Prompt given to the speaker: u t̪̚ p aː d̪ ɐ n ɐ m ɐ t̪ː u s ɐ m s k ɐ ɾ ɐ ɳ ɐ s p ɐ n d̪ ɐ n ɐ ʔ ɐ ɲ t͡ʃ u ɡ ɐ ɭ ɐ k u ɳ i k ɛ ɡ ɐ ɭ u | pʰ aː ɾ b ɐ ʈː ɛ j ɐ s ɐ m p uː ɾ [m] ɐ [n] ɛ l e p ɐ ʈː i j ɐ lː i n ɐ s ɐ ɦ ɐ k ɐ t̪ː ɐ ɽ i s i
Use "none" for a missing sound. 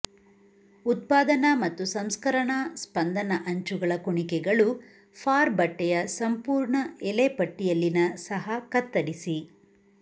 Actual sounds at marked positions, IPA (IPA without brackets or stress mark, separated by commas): ɳ, none